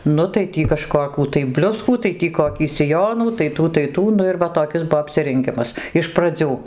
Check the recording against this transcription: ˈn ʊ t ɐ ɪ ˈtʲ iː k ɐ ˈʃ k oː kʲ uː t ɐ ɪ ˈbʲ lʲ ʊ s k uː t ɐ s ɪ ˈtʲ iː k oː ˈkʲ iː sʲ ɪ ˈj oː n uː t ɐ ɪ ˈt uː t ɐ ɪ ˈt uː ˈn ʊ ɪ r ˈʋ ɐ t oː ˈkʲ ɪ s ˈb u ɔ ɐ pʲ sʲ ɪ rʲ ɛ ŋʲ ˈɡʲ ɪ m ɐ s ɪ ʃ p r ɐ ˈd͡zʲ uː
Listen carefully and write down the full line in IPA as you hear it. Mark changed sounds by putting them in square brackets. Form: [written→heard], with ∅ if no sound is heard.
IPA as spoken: ˈn ʊ t ɐ ɪ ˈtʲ iː k ɐ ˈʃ k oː kʲ uː t ɐ ɪ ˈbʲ lʲ ʊ s k uː t ɐ [s→∅] ɪ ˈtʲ iː k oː ˈkʲ iː sʲ ɪ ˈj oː n uː t ɐ ɪ ˈt uː t ɐ ɪ ˈt uː ˈn ʊ ɪ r ˈʋ ɐ t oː ˈkʲ ɪ s ˈb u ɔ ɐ pʲ sʲ ɪ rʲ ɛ ŋʲ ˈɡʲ ɪ m ɐ s ɪ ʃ p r ɐ ˈd͡zʲ uː

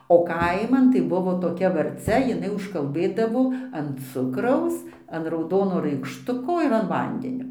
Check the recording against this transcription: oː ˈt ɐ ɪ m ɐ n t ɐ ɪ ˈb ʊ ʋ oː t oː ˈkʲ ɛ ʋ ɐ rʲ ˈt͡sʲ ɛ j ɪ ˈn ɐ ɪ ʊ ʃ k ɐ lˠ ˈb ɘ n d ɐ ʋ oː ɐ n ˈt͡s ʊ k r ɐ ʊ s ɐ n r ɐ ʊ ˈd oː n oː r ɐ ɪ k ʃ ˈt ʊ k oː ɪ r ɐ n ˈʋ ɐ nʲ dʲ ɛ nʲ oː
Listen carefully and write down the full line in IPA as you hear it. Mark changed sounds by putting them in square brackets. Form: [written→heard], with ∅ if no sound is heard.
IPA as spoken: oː [ˈt→ˈk] ɐ ɪ m ɐ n t ɐ ɪ ˈb ʊ ʋ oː t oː ˈkʲ ɛ ʋ ɐ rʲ ˈt͡sʲ ɛ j ɪ ˈn ɐ ɪ ʊ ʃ k ɐ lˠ ˈb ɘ [n→∅] d ɐ ʋ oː ɐ n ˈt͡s ʊ k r ɐ ʊ s ɐ n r ɐ ʊ ˈd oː n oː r ɐ ɪ k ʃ ˈt ʊ k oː ɪ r ɐ n ˈʋ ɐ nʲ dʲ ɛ nʲ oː

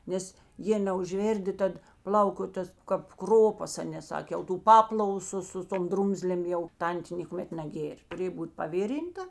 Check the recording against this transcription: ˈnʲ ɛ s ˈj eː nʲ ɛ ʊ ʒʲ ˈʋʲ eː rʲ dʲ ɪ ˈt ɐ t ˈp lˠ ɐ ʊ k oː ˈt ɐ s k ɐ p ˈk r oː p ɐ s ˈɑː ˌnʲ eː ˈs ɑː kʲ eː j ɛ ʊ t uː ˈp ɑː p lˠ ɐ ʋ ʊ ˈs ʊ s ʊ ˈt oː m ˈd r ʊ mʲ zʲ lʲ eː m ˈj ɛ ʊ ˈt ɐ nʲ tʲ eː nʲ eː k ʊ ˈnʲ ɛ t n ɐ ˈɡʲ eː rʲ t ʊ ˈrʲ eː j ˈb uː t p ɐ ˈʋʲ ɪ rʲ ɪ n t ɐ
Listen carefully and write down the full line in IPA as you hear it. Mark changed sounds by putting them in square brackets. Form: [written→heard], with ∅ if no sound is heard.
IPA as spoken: ˈnʲ ɛ s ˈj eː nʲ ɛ ʊ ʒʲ ˈʋʲ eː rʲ dʲ ɪ ˈt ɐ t ˈp lˠ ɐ ʊ k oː ˈt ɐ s k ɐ p ˈk r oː p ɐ s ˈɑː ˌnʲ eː ˈs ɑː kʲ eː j ɛ ʊ t uː ˈp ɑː p lˠ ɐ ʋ ʊ ˈs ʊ s ʊ ˈt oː m ˈd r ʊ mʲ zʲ lʲ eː m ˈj ɛ ʊ ˈt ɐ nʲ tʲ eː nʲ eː k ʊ [ˈnʲ→ˈmʲ] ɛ t n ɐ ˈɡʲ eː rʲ t ʊ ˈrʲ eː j ˈb uː t p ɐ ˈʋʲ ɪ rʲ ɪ n t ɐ

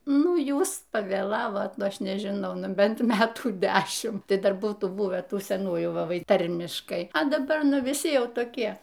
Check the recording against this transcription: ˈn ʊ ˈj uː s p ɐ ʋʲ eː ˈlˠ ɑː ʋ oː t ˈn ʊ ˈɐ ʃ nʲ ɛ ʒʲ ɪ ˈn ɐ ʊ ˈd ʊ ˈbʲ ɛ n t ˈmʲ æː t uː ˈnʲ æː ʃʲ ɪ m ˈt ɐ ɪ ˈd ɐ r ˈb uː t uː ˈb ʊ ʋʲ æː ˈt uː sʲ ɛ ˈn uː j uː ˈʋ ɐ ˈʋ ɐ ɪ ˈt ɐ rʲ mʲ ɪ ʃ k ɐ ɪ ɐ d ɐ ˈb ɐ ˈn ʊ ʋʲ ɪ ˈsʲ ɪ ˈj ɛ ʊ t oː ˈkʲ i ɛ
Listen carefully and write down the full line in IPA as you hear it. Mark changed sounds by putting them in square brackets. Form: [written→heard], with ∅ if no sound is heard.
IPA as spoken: ˈn ʊ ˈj uː s p ɐ ʋʲ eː ˈlˠ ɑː ʋ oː t ˈn ʊ ˈɐ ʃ nʲ ɛ ʒʲ ɪ ˈn ɐ ʊ [ˈd→ˈn] ʊ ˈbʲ ɛ n t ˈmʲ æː t uː [ˈnʲ→ˈdʲ] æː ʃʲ ɪ m ˈt ɐ ɪ ˈd ɐ r ˈb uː t uː ˈb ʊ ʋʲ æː ˈt uː sʲ ɛ ˈn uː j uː ˈʋ ɐ ˈʋ ɐ ɪ ˈt ɐ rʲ mʲ ɪ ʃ k ɐ ɪ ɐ d ɐ ˈb ɐ ˈn ʊ ʋʲ ɪ ˈsʲ ɪ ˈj ɛ ʊ t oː ˈkʲ i ɛ

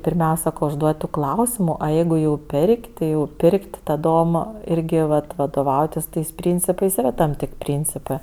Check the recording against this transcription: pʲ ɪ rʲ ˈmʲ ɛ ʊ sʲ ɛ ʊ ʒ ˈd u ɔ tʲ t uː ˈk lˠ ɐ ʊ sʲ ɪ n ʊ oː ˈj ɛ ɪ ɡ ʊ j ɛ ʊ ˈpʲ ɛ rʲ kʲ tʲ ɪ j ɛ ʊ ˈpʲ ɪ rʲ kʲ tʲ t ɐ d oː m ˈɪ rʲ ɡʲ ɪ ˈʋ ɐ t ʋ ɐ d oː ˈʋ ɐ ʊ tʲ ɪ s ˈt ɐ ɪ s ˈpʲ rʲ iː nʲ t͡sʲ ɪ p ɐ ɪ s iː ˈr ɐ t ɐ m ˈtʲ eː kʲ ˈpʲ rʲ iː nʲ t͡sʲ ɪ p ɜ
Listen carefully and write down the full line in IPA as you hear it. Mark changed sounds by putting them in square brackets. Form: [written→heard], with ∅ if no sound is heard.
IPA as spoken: pʲ ɪ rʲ ˈmʲ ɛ ʊ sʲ ɛ ʊ ʒ ˈd u ɔ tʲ t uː ˈk lˠ ɐ ʊ sʲ ɪ [n→m] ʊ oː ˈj ɛ ɪ ɡ ʊ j ɛ ʊ ˈpʲ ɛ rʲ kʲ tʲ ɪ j ɛ ʊ ˈpʲ ɪ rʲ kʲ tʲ t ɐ d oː m ˈɪ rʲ ɡʲ ɪ ˈʋ ɐ t ʋ ɐ d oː ˈʋ ɐ ʊ tʲ ɪ s ˈt ɐ ɪ s ˈpʲ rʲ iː nʲ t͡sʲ ɪ p ɐ ɪ s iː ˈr ɐ t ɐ m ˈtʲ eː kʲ ˈpʲ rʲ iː nʲ t͡sʲ ɪ p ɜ

